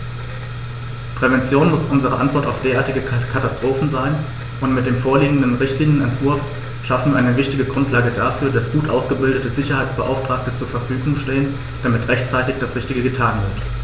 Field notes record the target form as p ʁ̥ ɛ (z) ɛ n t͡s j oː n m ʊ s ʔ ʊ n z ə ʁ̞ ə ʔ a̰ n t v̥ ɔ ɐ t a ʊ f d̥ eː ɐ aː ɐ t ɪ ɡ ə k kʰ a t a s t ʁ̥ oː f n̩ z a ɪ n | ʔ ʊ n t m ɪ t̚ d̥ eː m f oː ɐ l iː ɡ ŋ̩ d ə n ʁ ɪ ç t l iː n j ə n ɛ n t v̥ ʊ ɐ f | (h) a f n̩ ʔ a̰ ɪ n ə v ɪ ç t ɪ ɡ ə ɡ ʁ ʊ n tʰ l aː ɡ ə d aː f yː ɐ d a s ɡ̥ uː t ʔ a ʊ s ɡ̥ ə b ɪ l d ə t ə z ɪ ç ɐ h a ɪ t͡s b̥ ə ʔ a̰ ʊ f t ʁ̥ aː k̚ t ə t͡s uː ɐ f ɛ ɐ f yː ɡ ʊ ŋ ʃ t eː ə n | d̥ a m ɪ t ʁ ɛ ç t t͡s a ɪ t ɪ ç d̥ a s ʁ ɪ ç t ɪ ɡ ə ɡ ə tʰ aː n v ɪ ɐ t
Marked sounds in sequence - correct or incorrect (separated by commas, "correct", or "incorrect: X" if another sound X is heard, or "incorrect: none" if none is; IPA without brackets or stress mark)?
incorrect: v, incorrect: ʃ